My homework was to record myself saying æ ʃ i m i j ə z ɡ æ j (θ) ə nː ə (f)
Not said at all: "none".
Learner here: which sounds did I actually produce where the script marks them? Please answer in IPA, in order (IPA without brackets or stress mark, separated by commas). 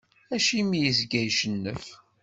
ʃ, f